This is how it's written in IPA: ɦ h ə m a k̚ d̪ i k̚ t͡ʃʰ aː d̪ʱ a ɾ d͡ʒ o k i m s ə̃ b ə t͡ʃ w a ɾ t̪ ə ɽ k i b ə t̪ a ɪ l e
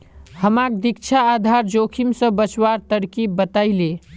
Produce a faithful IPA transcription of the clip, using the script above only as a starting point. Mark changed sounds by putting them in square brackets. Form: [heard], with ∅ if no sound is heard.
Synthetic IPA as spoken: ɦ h ə m a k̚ d̪ i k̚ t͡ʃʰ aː d̪ʱ a ɾ d͡ʒ o [kʰ] i m s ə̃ b ə t͡ʃ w a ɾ t̪ ə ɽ k i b ə t̪ a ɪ l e